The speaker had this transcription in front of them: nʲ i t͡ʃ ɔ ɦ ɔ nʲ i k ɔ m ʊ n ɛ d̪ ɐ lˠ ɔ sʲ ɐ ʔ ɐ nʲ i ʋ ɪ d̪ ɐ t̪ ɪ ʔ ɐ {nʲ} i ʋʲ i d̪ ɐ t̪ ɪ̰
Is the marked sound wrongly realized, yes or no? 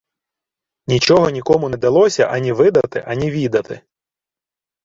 no